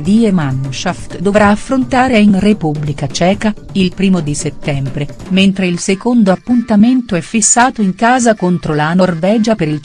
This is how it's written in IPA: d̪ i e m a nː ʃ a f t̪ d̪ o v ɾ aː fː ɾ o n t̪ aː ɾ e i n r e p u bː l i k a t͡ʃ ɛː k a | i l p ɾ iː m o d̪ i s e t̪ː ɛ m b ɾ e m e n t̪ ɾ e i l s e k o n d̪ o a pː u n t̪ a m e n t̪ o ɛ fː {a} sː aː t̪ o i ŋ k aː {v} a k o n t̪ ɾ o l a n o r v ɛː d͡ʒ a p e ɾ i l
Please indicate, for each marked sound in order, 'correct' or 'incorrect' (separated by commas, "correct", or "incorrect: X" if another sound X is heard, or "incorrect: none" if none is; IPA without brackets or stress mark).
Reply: incorrect: i, incorrect: z